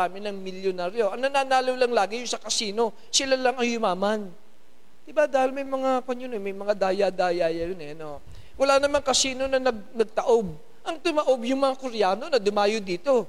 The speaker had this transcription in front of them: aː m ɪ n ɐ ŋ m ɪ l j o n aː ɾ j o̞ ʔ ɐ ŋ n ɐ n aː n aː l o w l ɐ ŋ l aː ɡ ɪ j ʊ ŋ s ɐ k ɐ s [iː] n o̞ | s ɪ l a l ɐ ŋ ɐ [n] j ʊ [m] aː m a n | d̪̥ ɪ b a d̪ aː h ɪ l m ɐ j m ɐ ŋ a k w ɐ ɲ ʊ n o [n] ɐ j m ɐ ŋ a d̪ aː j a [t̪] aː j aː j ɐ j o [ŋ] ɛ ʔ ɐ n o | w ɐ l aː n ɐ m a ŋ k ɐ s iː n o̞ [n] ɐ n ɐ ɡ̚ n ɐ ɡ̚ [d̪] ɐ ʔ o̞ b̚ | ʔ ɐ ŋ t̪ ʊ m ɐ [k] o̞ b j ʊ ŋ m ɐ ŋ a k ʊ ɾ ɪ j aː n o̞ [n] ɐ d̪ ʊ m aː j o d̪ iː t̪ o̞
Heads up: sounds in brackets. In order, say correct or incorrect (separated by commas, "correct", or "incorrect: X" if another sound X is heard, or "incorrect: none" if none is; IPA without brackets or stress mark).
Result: correct, incorrect: ŋ, correct, incorrect: m, incorrect: d̪, incorrect: n, correct, incorrect: t̪, incorrect: ʔ, correct